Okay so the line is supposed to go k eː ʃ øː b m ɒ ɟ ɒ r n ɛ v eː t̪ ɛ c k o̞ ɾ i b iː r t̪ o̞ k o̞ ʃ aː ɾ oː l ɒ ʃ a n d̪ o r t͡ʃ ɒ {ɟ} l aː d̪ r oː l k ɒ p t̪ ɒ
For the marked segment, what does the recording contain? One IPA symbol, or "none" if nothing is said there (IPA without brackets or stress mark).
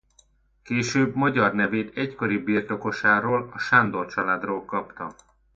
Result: none